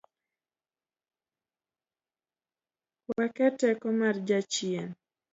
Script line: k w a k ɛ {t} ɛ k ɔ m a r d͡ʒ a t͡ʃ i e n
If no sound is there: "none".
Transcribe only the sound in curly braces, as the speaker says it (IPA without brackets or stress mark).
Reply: t